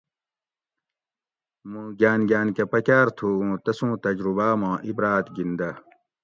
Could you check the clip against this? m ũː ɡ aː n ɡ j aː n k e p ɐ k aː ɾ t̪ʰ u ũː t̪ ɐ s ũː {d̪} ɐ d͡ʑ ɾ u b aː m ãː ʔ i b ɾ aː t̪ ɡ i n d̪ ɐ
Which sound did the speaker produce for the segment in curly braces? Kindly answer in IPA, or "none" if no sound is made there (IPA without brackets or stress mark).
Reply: t̪